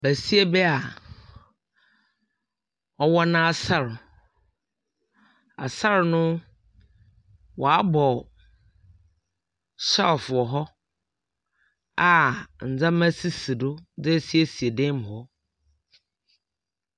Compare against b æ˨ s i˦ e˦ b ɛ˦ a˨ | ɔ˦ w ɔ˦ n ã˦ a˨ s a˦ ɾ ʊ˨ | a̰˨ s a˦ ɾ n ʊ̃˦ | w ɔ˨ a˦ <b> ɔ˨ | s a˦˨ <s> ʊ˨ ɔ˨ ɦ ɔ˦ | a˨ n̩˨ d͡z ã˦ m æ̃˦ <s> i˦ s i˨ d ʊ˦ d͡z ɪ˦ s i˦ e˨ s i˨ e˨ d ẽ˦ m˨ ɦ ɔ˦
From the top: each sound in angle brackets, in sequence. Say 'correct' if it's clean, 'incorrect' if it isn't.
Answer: correct, incorrect: f, correct

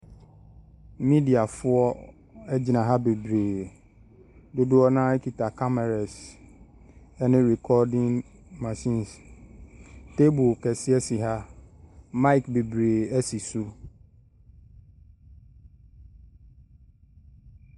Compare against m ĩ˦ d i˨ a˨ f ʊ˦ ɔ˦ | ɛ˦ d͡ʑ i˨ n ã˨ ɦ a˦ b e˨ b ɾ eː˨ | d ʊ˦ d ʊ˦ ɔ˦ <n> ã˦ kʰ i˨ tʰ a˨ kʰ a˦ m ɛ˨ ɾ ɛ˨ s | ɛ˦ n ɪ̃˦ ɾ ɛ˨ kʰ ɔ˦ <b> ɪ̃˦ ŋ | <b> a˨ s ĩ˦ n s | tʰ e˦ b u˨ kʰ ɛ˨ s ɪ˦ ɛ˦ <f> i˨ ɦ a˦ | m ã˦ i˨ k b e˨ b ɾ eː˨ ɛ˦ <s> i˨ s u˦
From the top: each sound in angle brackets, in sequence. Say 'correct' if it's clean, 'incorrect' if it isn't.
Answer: correct, incorrect: d, incorrect: m, incorrect: s, correct

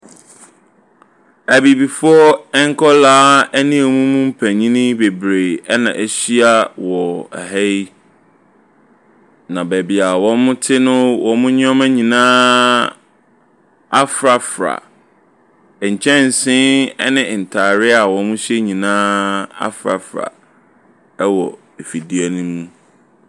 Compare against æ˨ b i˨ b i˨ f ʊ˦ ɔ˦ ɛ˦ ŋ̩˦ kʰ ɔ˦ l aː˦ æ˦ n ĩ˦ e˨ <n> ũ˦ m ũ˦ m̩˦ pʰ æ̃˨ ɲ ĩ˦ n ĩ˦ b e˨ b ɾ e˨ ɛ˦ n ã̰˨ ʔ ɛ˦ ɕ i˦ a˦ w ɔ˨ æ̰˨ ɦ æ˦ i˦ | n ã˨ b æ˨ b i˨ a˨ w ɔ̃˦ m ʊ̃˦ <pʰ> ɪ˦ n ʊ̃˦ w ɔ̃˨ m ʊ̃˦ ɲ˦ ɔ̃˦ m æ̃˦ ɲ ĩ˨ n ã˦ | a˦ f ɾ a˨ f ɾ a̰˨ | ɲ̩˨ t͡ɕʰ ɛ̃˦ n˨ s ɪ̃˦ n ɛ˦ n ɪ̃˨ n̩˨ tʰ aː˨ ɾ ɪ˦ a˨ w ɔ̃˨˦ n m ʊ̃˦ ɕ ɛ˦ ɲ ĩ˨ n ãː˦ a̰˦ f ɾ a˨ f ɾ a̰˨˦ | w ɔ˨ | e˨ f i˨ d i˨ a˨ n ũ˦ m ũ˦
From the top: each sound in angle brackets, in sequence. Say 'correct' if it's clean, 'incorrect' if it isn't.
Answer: incorrect: m, incorrect: tʰ

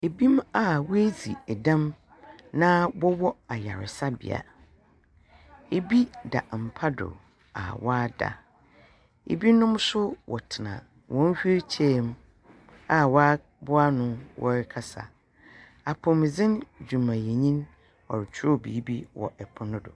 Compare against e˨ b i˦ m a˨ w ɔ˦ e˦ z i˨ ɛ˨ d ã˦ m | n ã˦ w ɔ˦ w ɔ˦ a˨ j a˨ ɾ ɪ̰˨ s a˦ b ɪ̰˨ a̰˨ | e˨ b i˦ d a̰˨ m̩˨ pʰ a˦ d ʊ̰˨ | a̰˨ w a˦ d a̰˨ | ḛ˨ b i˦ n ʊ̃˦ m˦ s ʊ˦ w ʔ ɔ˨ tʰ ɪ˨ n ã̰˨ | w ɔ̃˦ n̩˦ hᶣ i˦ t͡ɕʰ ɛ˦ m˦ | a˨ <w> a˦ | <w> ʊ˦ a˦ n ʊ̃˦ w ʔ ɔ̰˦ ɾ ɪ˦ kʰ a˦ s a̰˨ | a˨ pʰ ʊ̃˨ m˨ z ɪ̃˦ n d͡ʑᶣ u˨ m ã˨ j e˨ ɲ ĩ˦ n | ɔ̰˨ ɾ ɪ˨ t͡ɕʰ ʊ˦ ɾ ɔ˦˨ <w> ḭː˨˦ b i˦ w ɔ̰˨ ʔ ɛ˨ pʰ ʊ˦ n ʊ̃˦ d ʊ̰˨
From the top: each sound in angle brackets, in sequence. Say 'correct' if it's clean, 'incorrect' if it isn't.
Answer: correct, incorrect: b, incorrect: b

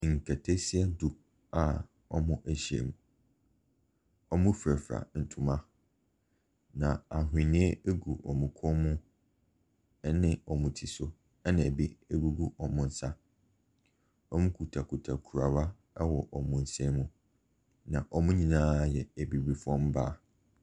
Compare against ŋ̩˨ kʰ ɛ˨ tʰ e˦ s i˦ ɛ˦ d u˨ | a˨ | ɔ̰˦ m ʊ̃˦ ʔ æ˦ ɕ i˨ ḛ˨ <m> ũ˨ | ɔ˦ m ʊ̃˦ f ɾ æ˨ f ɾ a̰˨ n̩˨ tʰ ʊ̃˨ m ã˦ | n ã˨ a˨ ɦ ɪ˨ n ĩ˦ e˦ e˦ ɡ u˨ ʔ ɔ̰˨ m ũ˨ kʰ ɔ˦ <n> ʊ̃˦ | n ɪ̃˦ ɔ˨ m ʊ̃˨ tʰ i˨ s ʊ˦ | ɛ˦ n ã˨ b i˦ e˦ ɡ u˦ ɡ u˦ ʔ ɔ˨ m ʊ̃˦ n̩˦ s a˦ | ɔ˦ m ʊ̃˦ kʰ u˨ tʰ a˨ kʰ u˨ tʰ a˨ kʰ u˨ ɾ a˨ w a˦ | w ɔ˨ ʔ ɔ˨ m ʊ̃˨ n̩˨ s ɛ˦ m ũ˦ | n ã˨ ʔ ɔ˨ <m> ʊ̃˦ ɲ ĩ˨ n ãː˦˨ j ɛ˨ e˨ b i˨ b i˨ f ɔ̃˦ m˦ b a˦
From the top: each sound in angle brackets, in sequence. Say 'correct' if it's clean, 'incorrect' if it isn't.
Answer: correct, incorrect: m, correct

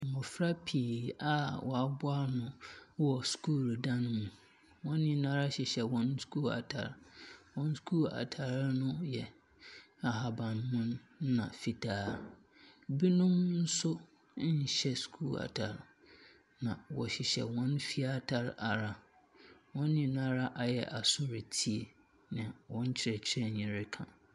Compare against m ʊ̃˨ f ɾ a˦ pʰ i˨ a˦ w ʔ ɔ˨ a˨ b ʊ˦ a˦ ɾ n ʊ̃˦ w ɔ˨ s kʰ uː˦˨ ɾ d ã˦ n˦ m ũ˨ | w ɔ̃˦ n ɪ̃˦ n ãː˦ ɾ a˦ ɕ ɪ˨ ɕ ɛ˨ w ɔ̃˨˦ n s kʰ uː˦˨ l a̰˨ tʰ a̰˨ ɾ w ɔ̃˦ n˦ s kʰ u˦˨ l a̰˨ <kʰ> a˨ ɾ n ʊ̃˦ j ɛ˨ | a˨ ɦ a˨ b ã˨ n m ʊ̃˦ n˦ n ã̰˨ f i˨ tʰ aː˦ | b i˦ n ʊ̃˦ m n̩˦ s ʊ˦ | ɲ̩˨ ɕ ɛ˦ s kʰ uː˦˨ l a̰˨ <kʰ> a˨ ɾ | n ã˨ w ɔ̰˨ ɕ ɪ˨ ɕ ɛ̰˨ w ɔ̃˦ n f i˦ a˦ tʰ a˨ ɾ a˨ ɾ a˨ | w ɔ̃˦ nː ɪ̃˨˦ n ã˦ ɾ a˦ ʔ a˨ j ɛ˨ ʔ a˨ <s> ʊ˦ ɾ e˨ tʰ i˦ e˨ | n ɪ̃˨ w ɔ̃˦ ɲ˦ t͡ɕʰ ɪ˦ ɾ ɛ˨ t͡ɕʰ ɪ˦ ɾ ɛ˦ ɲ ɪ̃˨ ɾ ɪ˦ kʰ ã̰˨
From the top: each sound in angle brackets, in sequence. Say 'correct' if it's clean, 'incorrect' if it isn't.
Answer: incorrect: tʰ, incorrect: tʰ, correct

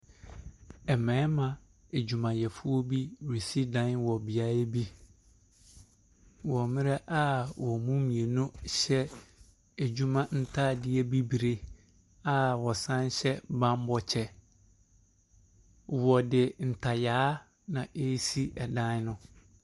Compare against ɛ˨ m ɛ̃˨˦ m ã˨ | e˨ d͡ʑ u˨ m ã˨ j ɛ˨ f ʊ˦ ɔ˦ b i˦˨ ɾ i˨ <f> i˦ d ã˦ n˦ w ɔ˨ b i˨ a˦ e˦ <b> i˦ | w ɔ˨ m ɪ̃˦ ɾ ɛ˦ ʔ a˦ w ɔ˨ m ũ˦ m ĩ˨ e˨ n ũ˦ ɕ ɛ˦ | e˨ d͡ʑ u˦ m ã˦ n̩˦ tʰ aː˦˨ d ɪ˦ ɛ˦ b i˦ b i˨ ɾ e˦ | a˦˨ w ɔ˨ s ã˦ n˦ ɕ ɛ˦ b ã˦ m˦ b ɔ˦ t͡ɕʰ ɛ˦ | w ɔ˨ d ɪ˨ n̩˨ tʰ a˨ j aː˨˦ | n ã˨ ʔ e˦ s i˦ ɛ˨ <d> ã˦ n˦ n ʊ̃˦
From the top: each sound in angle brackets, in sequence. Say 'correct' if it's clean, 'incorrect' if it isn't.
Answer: incorrect: s, correct, correct

